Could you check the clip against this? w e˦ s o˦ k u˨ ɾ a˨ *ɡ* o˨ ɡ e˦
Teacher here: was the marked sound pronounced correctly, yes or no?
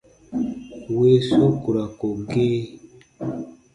no